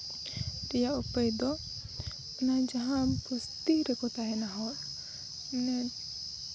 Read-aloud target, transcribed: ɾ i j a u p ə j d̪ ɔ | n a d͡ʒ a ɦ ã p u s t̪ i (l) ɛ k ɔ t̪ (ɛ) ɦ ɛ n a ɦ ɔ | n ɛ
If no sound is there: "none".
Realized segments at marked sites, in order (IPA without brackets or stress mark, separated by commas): ɾ, a